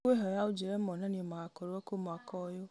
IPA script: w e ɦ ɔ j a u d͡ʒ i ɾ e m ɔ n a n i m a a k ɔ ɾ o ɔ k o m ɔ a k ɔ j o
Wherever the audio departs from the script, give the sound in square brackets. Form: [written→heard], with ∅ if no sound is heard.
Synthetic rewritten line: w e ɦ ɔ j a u d͡ʒ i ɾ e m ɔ n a n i m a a k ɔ ɾ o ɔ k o m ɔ a k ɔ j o